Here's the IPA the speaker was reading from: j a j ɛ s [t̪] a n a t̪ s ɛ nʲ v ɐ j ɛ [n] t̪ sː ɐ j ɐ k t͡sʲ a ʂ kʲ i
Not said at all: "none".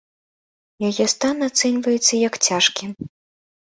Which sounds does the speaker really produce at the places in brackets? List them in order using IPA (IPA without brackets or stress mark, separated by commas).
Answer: t̪, none